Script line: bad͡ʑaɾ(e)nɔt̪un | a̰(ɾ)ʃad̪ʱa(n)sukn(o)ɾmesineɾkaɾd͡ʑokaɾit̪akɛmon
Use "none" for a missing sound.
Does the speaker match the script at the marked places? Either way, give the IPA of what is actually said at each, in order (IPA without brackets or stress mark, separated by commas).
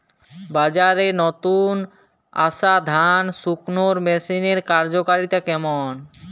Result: e, none, n, o